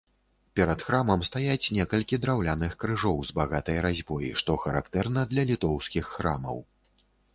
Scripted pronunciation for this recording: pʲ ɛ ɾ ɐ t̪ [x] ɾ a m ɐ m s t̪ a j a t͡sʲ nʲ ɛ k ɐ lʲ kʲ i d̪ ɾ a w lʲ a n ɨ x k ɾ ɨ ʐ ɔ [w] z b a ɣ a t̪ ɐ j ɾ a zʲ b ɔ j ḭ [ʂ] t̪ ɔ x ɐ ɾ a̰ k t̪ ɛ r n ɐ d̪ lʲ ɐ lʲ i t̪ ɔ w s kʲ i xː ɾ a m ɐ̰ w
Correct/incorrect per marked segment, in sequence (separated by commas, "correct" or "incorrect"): correct, correct, correct